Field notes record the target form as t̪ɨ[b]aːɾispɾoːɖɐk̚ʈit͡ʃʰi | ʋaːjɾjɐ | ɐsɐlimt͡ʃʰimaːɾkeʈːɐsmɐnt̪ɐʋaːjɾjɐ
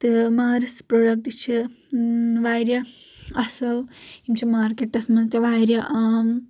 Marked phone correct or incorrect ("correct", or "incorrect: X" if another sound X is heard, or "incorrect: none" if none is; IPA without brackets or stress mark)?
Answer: incorrect: m